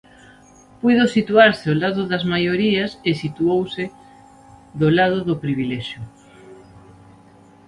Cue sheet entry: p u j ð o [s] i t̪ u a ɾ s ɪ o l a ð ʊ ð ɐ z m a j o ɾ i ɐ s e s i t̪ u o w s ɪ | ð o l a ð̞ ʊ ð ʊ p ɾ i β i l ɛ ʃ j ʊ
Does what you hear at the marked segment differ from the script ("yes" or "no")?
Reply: no